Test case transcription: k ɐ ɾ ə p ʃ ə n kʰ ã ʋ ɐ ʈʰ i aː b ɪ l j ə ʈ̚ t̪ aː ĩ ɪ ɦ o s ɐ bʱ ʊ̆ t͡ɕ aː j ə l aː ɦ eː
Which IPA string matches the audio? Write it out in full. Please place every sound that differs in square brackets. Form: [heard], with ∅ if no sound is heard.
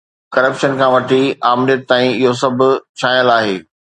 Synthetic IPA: k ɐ ɾ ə p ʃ ə n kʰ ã ʋ ɐ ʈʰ i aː [m] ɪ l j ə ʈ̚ t̪ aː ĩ ɪ ɦ o s ɐ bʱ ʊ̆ [t͡ɕʰ] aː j ə l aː ɦ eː